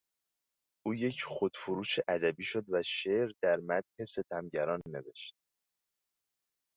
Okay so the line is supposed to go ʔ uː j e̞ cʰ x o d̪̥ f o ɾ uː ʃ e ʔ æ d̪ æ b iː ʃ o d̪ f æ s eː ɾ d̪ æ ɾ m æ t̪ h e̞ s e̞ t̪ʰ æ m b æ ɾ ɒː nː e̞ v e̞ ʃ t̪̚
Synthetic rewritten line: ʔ uː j e̞ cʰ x o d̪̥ f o ɾ uː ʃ e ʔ æ d̪ æ b iː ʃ o d̪ v æ ʃ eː ɾ d̪ æ ɾ m æ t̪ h e̞ s e̞ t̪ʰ æ m ɟ æ ɾ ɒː nː e̞ v e̞ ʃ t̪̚